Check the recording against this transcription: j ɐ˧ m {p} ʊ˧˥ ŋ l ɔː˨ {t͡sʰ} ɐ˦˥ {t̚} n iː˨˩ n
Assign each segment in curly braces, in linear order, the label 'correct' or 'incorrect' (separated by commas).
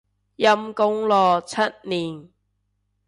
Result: incorrect, correct, correct